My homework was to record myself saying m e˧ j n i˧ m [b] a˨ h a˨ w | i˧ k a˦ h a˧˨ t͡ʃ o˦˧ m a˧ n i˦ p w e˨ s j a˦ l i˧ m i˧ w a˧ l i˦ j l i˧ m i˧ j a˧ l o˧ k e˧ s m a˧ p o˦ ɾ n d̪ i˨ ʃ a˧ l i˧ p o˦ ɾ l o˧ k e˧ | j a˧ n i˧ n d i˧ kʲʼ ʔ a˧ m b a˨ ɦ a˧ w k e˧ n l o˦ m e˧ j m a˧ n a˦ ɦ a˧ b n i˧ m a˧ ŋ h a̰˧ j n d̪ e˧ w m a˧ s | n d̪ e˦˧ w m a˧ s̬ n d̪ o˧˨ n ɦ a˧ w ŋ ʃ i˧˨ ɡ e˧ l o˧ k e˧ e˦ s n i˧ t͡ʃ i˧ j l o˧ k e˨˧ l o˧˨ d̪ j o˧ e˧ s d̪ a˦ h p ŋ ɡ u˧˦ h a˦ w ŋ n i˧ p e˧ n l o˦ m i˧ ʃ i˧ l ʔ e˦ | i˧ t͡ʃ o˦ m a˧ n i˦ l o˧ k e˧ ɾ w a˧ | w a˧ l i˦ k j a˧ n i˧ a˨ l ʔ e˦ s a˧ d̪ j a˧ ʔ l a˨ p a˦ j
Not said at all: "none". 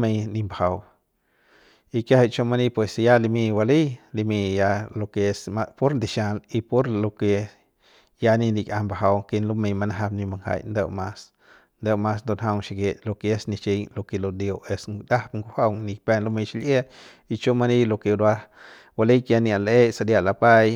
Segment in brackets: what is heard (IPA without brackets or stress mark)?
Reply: b